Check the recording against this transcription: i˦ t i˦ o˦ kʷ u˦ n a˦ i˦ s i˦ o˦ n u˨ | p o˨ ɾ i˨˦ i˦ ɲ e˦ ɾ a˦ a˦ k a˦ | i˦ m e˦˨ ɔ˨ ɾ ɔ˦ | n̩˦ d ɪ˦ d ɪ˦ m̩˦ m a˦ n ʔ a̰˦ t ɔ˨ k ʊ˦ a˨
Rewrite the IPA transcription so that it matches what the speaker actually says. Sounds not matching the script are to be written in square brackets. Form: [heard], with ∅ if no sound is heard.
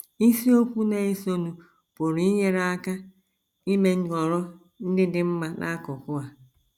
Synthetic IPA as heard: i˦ [s] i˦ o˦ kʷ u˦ n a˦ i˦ s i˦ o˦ n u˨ | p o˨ ɾ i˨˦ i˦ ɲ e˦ ɾ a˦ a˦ k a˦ | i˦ m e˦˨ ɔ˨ ɾ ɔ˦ | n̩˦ d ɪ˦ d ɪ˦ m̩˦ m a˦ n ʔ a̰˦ [k] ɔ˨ k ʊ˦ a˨